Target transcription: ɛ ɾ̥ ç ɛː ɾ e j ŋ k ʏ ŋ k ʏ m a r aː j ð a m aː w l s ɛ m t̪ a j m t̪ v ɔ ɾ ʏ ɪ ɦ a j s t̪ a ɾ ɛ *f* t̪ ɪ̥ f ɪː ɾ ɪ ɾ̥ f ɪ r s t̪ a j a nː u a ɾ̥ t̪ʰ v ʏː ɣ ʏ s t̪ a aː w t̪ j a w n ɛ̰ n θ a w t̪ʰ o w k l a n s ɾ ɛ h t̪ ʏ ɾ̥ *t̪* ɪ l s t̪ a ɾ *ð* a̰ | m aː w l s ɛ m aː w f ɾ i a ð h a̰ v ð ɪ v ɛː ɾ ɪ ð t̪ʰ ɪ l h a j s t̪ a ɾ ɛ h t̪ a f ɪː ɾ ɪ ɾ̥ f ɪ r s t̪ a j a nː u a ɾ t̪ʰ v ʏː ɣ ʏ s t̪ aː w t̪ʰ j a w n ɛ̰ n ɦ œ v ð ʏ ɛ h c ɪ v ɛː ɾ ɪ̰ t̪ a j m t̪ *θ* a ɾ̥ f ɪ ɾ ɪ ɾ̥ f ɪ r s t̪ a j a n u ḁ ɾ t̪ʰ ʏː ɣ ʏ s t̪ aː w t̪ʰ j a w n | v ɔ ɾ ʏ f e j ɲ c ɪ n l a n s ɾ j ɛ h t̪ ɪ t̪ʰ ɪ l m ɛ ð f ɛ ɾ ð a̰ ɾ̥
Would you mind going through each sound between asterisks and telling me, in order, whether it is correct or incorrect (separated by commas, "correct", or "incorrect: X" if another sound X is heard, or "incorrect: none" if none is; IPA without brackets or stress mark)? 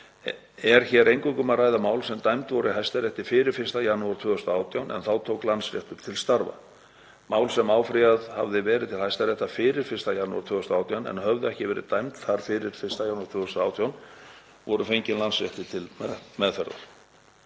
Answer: incorrect: h, incorrect: t̪ʰ, incorrect: v, correct